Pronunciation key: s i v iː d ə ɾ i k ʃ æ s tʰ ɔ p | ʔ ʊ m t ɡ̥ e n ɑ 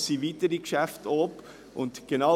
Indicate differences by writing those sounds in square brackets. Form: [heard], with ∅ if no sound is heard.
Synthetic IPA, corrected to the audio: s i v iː [t] ə ɾ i k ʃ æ [f] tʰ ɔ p | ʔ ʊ [n] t ɡ̥ e n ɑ

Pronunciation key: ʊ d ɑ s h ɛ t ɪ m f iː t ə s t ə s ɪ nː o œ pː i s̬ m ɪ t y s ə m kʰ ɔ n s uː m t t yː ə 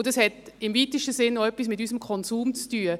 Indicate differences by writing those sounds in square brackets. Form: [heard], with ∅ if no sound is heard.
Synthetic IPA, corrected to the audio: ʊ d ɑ s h ɛ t ɪ m [v] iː t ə [ʃ] t ə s ɪ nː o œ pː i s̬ m ɪ t y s ə m kʰ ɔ n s uː m [t͡s] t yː ə

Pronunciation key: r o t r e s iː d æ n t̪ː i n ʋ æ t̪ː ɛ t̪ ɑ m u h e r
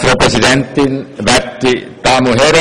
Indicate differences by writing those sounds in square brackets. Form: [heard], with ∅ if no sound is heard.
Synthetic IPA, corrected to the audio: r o [p] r e s [i] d [e] n t̪ː i n ʋ æ t̪ː [i] t̪ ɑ m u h e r

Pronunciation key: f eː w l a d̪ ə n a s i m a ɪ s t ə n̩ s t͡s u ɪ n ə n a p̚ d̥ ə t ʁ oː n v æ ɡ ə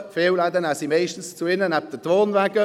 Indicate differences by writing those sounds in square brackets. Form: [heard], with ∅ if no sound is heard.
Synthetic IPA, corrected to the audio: f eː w l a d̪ ə n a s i m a ɪ [ʃ] t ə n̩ s t͡s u ɪ n ə n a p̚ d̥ ə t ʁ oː n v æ ɡ ə

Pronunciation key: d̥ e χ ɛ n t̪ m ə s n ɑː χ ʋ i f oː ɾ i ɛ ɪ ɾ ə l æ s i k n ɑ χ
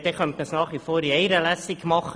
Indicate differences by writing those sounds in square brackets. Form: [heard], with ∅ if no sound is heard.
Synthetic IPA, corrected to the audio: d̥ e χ [œ] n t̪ m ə s n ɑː χ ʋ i f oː ɾ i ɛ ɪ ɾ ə l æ s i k [m] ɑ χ

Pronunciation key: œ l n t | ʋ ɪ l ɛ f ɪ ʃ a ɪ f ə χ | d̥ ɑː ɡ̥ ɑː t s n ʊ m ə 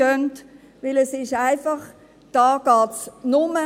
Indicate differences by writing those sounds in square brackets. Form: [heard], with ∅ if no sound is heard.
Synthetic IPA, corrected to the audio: œ [∅] n t | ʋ ɪ l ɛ [s] ɪ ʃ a ɪ f [ɑ] χ | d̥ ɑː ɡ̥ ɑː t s n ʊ m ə

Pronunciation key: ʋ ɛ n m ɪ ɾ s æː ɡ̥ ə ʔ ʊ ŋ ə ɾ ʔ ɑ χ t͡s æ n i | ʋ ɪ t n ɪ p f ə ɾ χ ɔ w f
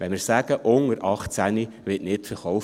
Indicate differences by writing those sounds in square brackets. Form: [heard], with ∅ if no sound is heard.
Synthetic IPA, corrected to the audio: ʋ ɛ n m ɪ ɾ s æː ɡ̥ ə ʔ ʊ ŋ ə ɾ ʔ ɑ χ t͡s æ n i | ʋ ɪ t n ɪ [t] f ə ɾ χ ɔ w f

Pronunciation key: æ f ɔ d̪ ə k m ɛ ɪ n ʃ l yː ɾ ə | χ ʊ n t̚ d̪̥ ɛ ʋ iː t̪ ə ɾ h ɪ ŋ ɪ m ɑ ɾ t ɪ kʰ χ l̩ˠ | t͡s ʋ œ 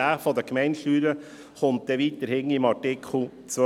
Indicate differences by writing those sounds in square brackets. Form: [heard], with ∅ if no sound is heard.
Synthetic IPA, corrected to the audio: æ f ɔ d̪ ə k m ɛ ɪ n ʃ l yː ɾ ə | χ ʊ n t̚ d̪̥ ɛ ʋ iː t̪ ə ɾ h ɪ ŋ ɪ m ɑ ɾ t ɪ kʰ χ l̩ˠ | t͡s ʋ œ

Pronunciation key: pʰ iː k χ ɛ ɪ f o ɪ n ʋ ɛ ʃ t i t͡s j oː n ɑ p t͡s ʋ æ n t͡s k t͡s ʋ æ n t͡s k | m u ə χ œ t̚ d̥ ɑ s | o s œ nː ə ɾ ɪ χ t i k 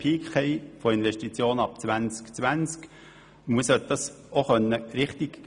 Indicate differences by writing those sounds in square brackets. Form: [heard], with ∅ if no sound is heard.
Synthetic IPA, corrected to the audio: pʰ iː k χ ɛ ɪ f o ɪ n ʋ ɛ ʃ t i t͡s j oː n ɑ p t͡s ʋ æ n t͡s k t͡s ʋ æ n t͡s k | m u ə [s] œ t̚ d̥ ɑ s | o [χ] œ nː ə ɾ ɪ χ t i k

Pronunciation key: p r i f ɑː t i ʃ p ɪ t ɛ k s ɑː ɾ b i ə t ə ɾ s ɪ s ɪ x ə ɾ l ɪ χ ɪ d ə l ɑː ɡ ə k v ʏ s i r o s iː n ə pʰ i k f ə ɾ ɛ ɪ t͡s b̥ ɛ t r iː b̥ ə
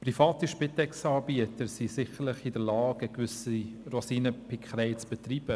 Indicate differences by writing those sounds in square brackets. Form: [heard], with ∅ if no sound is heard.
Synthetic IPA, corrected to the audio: p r i f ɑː t i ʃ p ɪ t ɛ k s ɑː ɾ b i ə t ə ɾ s [i] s ɪ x ə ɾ l ɪ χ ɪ d ə l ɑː ɡ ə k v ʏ s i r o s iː n ə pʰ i k [χ] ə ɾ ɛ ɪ t͡s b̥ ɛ t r iː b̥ ə

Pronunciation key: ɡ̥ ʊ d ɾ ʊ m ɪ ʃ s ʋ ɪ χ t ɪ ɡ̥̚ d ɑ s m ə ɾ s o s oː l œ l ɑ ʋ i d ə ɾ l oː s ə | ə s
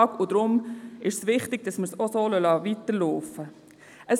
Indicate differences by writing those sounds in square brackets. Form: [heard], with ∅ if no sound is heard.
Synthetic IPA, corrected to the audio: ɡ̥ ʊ d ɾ ʊ m ɪ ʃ s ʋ ɪ χ t ɪ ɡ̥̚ d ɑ s m ə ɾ s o s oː l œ l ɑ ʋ i [t] ə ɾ l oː [f] ə | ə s

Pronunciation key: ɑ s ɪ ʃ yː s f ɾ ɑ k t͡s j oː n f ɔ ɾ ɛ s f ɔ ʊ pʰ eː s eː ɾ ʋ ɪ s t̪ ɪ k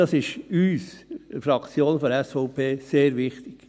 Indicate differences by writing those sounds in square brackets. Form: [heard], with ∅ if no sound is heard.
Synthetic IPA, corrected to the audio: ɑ s ɪ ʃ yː s f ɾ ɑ k t͡s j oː n f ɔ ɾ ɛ s f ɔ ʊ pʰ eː s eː ɾ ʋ ɪ [χ] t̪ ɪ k

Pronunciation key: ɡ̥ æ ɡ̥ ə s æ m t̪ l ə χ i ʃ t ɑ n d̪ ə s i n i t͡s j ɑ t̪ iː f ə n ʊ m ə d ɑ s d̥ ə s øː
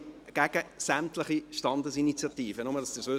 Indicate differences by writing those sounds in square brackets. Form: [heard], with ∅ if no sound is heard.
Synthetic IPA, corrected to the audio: ɡ̥ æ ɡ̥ ə s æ m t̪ l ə χ i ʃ t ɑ n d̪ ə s i n i t͡s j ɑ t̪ iː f ə n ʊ m ə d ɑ s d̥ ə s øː

